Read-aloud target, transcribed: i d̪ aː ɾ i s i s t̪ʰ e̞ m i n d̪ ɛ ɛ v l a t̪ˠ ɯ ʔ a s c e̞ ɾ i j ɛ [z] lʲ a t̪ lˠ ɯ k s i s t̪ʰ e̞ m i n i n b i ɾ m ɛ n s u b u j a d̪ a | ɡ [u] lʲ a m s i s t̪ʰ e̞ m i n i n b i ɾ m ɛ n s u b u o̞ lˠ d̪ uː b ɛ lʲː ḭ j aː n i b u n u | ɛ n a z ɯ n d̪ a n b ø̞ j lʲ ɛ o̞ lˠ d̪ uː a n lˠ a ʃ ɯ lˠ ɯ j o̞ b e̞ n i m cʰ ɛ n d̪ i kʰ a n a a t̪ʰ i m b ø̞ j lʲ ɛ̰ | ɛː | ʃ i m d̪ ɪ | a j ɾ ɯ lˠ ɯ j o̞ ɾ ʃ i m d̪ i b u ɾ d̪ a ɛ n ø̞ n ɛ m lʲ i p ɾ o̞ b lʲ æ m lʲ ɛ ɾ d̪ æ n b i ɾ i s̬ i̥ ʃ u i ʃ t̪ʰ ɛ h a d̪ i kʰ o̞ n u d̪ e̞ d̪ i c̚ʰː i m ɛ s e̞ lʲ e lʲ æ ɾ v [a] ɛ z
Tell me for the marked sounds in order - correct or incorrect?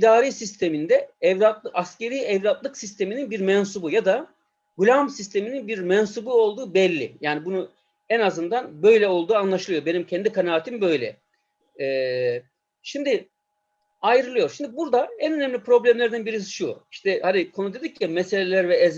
incorrect, correct, incorrect

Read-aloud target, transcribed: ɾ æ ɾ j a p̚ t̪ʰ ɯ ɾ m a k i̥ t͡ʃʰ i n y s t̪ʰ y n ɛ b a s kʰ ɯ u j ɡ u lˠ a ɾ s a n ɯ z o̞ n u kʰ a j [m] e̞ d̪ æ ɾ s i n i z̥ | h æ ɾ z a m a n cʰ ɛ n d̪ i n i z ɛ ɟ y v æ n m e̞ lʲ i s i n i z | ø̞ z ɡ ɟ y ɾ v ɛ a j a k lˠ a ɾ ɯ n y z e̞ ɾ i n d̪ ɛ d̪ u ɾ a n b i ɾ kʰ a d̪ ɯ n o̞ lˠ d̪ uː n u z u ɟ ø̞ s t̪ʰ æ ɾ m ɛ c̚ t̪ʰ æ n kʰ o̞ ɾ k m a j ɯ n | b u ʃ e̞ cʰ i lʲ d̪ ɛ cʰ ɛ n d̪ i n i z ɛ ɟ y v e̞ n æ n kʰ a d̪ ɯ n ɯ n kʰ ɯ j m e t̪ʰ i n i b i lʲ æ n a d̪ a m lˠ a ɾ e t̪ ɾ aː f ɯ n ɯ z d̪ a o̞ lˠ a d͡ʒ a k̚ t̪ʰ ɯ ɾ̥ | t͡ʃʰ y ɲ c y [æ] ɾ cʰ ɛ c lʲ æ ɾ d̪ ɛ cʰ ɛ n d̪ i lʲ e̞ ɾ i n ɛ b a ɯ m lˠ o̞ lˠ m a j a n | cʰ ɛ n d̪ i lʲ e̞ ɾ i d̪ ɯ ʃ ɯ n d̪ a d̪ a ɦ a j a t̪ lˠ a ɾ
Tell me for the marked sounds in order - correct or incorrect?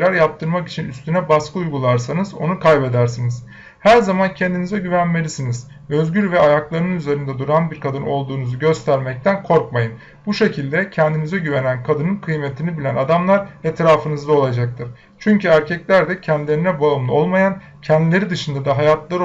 incorrect, correct

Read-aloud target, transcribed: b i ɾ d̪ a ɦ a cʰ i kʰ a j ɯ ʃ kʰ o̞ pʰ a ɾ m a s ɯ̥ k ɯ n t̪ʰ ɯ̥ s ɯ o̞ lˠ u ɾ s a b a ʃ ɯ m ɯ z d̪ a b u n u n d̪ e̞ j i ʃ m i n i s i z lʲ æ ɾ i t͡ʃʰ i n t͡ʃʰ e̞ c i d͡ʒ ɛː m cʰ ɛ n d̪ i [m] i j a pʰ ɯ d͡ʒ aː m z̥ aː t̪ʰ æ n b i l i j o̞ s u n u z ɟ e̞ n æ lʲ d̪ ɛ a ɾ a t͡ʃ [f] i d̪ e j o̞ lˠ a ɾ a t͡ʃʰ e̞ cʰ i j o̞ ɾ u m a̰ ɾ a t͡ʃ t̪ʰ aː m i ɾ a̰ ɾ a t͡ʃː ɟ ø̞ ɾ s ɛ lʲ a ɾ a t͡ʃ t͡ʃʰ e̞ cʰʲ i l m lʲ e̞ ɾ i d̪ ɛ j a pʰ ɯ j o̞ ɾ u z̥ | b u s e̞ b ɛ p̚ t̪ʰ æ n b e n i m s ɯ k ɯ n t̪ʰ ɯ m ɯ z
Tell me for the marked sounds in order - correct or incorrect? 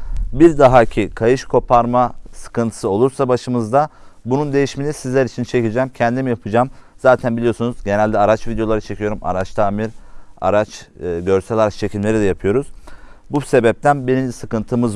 correct, incorrect

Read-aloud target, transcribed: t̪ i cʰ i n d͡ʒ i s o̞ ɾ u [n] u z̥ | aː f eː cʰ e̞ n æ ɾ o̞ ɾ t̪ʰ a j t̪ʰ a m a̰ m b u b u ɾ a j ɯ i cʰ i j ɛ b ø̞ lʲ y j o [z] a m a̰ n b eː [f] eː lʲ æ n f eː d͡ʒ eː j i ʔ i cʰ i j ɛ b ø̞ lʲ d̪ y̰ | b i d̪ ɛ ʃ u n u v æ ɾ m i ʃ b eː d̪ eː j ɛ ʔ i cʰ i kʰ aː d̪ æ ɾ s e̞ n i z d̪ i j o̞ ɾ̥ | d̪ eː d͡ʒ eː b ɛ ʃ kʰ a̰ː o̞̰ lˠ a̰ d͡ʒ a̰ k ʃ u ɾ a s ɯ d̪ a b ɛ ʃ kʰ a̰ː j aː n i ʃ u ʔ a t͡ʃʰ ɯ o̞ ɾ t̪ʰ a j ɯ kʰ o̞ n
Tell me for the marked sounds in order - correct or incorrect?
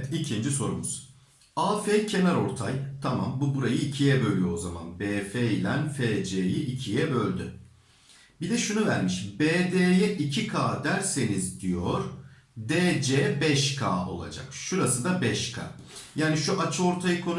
incorrect, correct, correct

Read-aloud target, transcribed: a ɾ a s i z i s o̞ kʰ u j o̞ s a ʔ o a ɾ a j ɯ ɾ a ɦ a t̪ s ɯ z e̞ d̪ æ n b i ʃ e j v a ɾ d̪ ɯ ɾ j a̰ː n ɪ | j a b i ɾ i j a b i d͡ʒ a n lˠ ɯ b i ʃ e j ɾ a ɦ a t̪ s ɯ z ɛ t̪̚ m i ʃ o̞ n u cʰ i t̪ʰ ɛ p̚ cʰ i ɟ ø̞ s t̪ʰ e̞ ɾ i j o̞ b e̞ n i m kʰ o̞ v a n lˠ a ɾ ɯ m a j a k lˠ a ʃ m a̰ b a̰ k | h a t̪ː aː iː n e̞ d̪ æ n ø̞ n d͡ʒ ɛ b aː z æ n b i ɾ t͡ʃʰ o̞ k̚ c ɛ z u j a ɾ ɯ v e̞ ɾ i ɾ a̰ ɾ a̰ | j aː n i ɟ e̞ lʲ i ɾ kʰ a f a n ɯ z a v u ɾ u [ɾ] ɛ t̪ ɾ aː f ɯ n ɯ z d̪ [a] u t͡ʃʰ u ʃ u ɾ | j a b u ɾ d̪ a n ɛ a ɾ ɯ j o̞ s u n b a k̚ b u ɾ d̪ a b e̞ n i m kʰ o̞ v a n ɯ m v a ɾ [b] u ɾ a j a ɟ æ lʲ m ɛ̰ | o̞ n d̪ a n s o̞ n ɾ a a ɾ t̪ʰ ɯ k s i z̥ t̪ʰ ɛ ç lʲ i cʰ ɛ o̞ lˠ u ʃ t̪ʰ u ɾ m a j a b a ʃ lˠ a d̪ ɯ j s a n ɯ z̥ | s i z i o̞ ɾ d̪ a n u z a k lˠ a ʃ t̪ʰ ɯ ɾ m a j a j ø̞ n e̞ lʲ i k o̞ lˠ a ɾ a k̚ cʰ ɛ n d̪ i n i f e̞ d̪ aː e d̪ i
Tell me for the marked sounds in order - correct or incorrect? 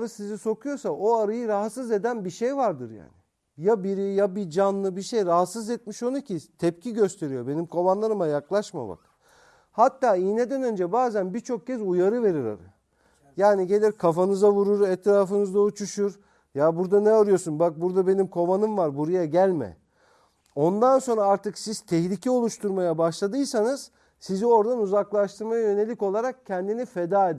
correct, correct, correct

